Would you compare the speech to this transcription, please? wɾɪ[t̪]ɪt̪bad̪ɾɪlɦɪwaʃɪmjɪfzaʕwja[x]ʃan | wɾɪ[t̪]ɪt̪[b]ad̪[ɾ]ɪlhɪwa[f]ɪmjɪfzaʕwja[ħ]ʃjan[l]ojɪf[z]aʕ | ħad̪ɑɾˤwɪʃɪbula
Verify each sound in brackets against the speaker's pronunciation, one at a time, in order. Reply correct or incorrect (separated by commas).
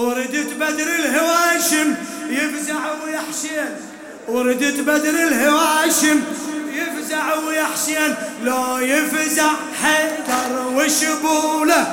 incorrect, incorrect, incorrect, correct, correct, incorrect, correct, correct, correct